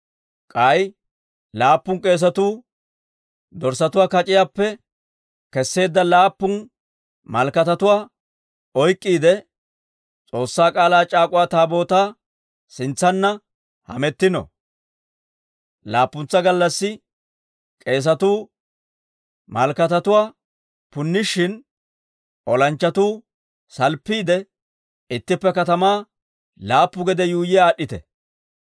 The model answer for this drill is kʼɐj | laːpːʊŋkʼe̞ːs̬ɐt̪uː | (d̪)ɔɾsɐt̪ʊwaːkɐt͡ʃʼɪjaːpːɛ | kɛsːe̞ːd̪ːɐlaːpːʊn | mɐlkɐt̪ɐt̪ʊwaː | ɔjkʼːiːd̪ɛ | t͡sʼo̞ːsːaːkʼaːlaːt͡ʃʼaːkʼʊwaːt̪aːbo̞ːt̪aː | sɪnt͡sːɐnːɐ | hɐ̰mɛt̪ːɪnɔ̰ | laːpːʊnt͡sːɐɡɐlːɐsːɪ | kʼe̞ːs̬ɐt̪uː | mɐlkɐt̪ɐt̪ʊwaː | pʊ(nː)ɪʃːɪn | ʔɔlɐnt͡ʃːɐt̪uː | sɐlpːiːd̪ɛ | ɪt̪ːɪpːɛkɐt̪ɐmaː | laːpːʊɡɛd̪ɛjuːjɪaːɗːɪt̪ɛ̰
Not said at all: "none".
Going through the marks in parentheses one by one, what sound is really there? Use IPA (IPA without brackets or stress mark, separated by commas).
d̪, nː